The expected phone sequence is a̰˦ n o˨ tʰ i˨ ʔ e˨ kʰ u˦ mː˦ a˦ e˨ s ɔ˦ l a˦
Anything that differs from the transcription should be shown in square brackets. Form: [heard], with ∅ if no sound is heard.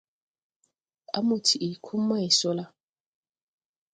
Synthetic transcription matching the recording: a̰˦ [m] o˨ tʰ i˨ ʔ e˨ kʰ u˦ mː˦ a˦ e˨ s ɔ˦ l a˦